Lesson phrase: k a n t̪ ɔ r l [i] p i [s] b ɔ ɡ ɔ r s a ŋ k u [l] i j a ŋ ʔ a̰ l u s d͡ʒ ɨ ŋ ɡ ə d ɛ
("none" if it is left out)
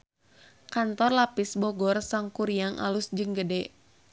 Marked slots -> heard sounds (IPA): a, s, ɾ

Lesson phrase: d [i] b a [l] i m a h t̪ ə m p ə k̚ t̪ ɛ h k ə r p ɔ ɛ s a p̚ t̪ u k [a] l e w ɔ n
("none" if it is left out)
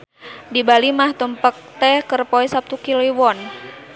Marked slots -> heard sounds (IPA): i, l, i

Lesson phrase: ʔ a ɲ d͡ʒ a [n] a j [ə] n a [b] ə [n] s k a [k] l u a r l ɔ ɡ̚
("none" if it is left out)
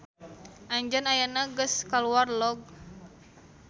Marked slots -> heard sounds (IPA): n, a, ɡ, none, none

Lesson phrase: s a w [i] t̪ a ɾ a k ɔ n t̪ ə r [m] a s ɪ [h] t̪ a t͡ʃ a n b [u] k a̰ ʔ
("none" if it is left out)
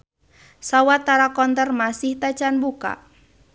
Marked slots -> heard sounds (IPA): a, m, h, u

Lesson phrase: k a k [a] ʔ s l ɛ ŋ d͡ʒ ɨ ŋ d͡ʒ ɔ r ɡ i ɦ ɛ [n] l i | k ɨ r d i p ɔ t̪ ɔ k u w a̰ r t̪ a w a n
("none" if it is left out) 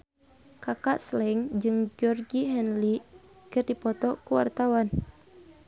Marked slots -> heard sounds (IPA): a, n

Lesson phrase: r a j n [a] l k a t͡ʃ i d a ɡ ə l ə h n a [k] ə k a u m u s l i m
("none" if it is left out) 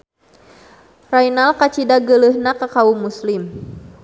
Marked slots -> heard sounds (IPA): a, k

